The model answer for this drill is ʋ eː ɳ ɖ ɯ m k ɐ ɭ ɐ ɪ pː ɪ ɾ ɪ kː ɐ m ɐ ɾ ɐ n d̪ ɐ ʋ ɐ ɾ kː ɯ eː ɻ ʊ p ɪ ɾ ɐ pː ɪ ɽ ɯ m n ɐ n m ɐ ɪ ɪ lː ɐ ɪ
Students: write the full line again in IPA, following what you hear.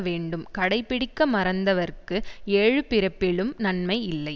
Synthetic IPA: ʋ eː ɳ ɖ ɯ m k ɐ ɽ ɐ ɪ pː ɪ ɽ ɪ kː ɐ m ɐ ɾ ɐ n d̪ ɐ ʋ ɐ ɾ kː ɯ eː ɻ ɯ p ɪ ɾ ɐ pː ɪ ɭ ɯ m n ɐ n m ɐ ɪ ɪ lː ɐ ɪ